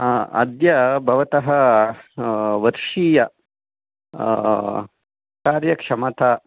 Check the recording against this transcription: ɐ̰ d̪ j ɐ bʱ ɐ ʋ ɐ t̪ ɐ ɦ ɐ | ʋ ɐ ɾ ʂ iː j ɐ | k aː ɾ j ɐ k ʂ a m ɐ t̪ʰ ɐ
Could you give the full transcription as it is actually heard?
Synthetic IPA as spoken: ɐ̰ d̪ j ɐ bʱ ɐ ʋ ɐ t̪ ɐ ɦ ɐ | ʋ ɐ ɾ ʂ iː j ɐ | k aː ɾ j ɐ k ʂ ɐ m ɐ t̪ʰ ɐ